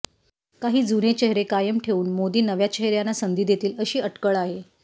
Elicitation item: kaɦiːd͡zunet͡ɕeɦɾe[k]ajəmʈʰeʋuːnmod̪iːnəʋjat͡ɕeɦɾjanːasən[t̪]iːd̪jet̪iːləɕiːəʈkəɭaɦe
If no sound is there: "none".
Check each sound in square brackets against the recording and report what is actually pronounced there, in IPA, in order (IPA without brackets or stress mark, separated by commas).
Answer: k, d̪